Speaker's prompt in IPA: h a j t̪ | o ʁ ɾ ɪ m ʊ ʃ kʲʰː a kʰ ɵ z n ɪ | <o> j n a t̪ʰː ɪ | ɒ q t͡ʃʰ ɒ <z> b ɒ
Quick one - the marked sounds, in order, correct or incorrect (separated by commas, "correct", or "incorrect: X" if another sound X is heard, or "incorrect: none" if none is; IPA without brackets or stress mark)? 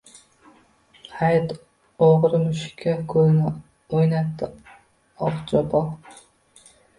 correct, incorrect: none